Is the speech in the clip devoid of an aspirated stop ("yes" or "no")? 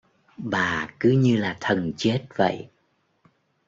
no